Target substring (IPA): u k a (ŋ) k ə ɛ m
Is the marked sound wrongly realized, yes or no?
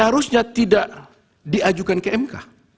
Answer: yes